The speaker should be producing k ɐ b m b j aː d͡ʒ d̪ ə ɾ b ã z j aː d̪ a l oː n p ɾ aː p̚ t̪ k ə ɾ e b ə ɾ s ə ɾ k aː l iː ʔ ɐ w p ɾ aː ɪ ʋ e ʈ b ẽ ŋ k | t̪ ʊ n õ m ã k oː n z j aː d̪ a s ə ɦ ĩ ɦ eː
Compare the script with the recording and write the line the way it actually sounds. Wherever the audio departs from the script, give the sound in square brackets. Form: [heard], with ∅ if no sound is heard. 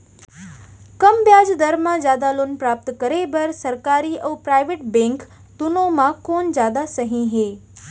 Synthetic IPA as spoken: k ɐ [∅] m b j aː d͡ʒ d̪ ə ɾ [m] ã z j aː d̪ a l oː n p ɾ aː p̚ t̪ k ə ɾ e b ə ɾ s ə ɾ k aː [ɾ] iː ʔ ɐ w p ɾ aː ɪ ʋ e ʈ b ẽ ŋ k | t̪ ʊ n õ m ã k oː n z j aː d̪ a s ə ɦ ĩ ɦ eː